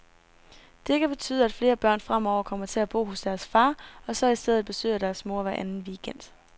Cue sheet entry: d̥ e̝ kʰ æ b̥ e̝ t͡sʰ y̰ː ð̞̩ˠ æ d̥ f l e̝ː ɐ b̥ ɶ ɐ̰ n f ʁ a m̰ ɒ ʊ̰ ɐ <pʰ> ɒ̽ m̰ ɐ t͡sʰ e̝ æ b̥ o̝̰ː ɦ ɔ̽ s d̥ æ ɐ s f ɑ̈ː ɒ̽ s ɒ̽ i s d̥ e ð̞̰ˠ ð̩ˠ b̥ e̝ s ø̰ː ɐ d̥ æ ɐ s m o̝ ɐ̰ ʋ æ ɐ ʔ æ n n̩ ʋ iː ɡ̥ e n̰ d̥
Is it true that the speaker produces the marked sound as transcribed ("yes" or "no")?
no